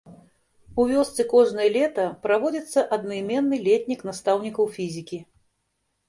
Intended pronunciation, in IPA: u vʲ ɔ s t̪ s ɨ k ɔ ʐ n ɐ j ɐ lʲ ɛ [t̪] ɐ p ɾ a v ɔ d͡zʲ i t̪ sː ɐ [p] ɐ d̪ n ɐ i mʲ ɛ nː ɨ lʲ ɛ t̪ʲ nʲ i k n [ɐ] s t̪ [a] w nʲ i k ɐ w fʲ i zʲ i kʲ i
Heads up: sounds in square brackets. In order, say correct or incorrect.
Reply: correct, incorrect, incorrect, correct

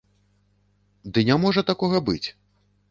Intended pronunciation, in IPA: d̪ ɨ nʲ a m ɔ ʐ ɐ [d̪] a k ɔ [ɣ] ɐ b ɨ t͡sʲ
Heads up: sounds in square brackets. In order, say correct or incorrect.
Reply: incorrect, correct

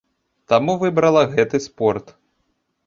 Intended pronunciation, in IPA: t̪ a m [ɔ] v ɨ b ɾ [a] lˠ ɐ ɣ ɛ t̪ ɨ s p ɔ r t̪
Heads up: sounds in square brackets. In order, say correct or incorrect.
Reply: incorrect, incorrect

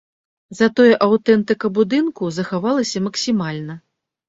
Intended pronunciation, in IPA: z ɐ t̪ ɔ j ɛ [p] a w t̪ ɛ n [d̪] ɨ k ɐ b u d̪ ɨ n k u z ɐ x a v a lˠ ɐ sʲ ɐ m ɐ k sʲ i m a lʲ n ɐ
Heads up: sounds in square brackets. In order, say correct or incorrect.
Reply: incorrect, incorrect

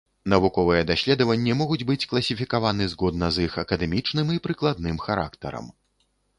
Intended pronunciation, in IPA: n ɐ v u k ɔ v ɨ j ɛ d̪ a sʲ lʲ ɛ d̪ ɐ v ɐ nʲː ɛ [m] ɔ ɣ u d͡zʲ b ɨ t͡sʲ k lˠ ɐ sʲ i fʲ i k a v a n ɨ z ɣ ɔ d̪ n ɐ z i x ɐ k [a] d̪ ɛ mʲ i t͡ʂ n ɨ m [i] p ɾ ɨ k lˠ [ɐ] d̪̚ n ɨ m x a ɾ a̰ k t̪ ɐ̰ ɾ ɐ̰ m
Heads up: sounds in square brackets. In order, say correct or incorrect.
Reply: correct, incorrect, correct, incorrect

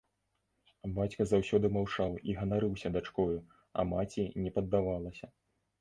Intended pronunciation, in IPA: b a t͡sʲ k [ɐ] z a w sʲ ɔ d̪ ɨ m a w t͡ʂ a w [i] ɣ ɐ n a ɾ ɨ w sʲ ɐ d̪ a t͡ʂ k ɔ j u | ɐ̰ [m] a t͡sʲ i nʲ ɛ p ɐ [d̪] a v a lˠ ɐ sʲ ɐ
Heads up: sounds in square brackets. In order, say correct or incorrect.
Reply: correct, correct, correct, incorrect

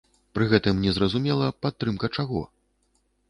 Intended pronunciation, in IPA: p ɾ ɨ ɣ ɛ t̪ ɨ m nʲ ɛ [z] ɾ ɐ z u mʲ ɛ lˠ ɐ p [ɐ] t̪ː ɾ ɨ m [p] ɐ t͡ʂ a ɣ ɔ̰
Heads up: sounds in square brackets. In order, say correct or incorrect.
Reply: correct, incorrect, incorrect

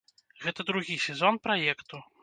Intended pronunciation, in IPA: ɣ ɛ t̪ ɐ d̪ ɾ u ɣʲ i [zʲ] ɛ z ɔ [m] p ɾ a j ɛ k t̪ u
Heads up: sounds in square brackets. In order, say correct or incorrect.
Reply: incorrect, incorrect

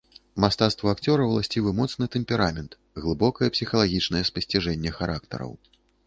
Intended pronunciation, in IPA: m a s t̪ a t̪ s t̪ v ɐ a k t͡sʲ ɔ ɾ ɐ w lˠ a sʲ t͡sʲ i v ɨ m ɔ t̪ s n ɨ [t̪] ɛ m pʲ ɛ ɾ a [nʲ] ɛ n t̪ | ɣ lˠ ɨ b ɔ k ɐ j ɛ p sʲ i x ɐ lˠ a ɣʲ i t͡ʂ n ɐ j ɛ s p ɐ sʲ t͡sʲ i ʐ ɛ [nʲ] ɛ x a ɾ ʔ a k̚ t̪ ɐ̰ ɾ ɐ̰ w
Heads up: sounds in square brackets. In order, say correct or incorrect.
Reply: correct, incorrect, incorrect

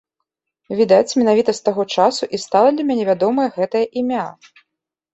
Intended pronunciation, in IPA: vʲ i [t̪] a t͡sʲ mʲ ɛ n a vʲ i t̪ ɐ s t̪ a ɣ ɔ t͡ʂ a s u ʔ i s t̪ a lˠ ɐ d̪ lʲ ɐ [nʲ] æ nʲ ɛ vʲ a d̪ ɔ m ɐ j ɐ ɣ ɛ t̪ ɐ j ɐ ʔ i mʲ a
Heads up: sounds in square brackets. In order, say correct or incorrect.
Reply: incorrect, incorrect

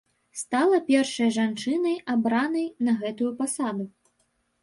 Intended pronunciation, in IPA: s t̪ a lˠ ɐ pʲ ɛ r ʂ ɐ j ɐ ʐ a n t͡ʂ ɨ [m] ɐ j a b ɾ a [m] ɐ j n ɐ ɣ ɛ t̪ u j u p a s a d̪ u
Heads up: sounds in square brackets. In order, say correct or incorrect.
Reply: incorrect, incorrect

